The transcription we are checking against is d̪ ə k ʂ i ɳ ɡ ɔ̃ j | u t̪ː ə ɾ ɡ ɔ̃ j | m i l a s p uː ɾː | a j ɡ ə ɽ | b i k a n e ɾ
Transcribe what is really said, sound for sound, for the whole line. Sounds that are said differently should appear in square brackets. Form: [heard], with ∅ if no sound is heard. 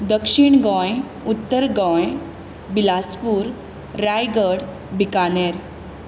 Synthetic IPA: d̪ ə k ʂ i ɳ ɡ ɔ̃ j | u t̪ː ə ɾ ɡ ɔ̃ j | [b] i l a s p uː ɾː | a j ɡ ə ɽ | b i k a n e ɾ